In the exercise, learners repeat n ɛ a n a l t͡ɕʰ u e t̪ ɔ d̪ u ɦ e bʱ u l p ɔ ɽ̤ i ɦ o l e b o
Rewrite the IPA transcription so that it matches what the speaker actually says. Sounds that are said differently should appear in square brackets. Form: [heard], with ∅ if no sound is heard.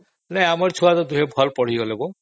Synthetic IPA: n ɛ a [m] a [ɾ] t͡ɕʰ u [a] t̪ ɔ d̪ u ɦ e bʱ [ɔ] l p ɔ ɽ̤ i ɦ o l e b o